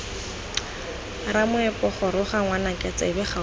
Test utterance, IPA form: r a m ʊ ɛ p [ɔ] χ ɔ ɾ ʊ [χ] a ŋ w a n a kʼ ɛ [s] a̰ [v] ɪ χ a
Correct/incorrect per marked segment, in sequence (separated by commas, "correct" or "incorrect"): correct, correct, incorrect, incorrect